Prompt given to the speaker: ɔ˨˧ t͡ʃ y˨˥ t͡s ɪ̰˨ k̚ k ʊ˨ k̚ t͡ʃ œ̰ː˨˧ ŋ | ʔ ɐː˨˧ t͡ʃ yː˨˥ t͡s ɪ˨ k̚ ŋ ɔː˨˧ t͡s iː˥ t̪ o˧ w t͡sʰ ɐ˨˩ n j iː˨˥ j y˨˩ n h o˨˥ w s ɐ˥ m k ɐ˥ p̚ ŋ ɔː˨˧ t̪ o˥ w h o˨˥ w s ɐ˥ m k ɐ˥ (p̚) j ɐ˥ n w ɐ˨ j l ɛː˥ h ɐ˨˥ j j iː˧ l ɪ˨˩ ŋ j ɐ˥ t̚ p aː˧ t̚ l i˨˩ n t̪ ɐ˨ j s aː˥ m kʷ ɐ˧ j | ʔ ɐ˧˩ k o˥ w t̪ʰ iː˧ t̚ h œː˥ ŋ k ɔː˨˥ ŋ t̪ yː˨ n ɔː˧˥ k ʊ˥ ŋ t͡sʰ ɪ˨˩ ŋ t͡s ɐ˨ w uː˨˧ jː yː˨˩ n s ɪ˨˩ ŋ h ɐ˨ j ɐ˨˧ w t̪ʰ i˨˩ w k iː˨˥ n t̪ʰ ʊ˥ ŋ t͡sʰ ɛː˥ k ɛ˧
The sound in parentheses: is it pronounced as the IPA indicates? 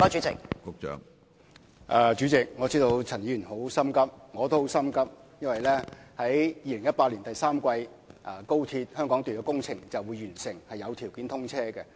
yes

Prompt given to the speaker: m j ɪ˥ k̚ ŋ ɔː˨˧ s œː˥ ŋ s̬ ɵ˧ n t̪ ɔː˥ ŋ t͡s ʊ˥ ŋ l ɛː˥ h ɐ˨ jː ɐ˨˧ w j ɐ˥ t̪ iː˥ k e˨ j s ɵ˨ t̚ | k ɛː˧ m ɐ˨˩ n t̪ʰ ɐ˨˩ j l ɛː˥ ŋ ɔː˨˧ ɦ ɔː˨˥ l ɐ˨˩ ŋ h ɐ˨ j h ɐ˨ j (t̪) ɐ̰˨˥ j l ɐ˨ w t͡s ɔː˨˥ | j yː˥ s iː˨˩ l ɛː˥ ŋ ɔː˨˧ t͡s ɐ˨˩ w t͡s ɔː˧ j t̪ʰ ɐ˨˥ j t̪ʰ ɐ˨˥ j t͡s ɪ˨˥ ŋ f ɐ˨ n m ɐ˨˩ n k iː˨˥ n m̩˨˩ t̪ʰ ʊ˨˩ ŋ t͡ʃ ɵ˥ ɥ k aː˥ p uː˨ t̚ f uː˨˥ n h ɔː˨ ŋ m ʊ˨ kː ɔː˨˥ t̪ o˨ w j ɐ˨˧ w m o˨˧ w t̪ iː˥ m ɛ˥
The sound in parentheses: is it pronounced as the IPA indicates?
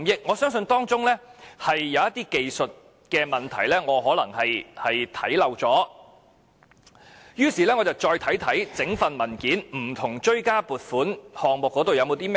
no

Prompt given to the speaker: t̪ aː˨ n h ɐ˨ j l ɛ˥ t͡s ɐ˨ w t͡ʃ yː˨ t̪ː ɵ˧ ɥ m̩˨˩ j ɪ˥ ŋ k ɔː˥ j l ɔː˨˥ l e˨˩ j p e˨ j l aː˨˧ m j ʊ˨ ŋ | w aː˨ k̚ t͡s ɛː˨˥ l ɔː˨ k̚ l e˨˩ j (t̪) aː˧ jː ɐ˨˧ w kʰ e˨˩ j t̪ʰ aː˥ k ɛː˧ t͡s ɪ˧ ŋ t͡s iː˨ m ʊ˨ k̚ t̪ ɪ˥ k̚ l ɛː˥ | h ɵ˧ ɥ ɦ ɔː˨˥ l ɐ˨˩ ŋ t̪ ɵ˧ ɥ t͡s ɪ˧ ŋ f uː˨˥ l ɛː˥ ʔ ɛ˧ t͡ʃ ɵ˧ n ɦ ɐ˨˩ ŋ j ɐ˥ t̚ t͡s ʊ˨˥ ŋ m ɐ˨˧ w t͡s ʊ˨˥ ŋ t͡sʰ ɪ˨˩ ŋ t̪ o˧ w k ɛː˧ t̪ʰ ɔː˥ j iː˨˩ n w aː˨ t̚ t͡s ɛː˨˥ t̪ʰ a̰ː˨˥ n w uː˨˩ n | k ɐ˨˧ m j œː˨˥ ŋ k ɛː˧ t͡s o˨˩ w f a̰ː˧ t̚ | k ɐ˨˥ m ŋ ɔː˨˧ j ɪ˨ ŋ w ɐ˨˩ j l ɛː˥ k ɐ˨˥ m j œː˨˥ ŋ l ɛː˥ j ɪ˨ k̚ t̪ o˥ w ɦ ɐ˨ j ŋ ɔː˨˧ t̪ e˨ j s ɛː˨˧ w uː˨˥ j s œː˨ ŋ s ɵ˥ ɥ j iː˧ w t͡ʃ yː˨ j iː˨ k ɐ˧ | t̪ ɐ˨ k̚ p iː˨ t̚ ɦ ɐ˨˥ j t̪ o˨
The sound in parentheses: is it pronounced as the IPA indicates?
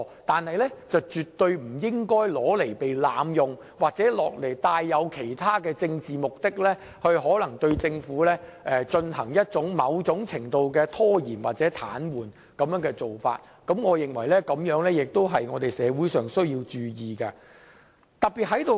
yes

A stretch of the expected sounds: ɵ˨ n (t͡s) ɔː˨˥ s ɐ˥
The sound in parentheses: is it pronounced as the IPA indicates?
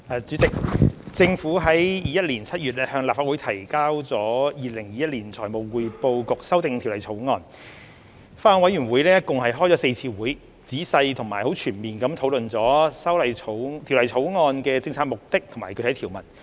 yes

